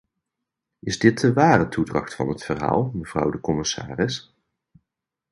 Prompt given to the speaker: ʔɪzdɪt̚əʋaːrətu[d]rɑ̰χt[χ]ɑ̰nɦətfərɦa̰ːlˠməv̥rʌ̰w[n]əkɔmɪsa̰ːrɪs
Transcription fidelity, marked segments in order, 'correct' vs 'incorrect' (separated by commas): correct, incorrect, incorrect